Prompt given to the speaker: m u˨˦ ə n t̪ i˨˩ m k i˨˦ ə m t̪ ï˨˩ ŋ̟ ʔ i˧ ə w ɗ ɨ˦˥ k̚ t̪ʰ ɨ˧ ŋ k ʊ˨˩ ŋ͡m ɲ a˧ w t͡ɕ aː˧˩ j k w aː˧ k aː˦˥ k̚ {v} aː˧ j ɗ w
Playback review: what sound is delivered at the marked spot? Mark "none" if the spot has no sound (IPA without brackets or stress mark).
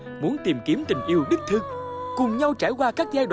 z